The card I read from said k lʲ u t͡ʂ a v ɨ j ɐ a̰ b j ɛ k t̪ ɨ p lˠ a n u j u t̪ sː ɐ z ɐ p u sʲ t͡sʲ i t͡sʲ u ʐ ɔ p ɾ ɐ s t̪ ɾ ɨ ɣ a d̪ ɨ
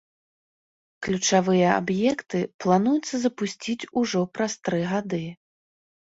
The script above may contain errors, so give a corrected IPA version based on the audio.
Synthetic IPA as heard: k lʲ u t͡ʂ a v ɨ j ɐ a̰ b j ɛ k t̪ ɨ p lˠ a n u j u t̪ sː ɐ z ɐ p u sʲ t͡sʲ i t͡sʲ u ʐ ɔ p ɾ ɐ s t̪ ɾ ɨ ɣ a d̪ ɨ